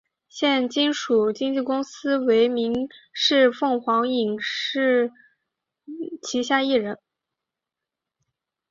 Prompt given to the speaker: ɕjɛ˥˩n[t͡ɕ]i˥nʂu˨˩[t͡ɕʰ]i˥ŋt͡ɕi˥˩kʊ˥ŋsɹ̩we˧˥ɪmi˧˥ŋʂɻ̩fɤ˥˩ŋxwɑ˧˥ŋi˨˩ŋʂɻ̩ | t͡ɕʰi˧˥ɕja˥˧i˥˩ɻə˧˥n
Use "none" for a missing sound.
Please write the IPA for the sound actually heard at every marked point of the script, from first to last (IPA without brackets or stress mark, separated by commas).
t͡ɕ, t͡ɕ